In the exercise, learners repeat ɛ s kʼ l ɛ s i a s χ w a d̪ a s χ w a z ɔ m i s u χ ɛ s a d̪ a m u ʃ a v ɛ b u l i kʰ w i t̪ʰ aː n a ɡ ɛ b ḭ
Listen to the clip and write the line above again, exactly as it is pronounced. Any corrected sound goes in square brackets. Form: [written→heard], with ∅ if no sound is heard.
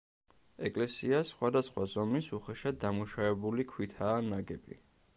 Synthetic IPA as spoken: ɛ [s→∅] kʼ l ɛ s i a s χ w a d̪ a s χ w a z ɔ m i s u χ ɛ [s→ʃ] a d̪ a m u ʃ a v ɛ b u l i kʰ w i t̪ʰ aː n a ɡ ɛ b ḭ